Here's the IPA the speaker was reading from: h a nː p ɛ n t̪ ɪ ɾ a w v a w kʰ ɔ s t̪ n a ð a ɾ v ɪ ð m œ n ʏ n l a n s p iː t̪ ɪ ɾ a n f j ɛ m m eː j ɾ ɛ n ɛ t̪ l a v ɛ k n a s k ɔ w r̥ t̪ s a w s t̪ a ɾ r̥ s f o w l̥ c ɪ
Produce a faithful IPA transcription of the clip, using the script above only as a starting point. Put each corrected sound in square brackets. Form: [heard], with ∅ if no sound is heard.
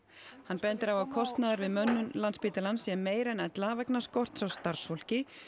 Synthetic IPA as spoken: h a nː p ɛ n t̪ ɪ ɾ a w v a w kʰ ɔ s t̪ n a ð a ɾ v ɪ ð m œ [nː] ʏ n l a n s p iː t̪ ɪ [l] a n [s] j ɛ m m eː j ɾ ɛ n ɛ t̪ l a v ɛ k n a s k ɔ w r̥ t̪ s a w s t̪ a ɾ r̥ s f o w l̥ c ɪ